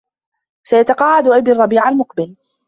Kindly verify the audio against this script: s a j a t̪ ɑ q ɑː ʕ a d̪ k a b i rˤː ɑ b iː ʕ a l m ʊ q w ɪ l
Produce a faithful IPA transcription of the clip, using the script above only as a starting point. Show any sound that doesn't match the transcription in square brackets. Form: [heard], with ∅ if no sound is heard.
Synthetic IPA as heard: s a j a t̪ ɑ q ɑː ʕ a d̪ [ʔ] a b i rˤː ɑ b iː ʕ a l m ʊ q [b] ɪ l